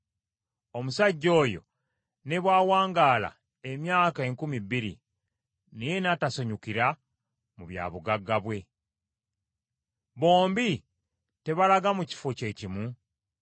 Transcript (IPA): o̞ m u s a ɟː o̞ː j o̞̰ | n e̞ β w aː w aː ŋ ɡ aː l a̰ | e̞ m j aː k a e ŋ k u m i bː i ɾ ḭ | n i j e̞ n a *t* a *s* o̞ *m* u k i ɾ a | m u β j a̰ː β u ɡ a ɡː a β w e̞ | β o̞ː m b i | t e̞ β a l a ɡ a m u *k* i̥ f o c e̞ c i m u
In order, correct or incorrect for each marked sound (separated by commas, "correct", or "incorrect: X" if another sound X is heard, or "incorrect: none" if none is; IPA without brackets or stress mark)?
correct, correct, incorrect: ɲ, incorrect: c